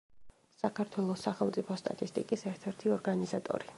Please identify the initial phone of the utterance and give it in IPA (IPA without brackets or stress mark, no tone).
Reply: s